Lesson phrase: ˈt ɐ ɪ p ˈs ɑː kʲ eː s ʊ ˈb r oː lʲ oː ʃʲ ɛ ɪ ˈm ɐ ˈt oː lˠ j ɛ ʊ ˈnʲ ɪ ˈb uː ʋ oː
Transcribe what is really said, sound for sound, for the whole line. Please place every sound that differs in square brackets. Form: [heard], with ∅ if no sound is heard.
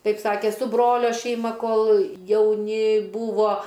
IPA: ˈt ɐ ɪ p ˈs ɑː kʲ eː s ʊ ˈb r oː lʲ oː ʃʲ ɛ ɪ ˈm ɐ [ˈk] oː lˠ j ɛ ʊ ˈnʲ ɪ ˈb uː ʋ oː